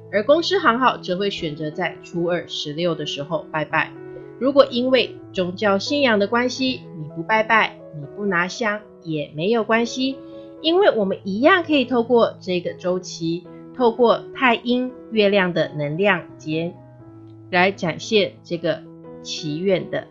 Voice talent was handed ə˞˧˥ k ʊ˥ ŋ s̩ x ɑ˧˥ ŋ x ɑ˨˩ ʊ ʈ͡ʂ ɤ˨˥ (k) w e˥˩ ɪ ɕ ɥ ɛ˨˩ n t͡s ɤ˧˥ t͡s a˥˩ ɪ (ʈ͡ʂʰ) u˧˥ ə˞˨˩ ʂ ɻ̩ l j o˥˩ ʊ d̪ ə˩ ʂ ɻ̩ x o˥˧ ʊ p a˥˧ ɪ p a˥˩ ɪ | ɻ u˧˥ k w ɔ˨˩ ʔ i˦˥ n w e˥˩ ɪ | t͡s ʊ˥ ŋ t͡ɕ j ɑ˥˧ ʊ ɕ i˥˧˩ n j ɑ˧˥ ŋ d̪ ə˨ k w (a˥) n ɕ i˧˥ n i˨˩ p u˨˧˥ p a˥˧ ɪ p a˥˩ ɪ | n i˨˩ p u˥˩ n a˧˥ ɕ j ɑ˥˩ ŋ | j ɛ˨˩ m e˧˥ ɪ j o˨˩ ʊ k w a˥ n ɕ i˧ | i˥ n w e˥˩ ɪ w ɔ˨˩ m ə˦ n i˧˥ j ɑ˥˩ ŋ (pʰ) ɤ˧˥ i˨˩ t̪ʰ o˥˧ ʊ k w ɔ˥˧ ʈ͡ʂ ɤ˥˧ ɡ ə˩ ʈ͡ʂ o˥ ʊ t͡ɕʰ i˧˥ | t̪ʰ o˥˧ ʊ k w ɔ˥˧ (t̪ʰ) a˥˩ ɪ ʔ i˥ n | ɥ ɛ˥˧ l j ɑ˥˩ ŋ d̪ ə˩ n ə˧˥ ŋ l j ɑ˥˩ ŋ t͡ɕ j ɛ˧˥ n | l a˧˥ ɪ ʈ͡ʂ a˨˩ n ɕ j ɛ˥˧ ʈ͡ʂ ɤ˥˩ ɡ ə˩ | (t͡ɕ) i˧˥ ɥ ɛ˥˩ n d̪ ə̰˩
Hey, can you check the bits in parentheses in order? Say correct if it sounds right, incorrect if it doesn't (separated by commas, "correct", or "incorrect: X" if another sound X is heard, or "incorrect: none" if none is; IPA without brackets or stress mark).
incorrect: x, correct, correct, incorrect: kʰ, correct, incorrect: t͡ɕʰ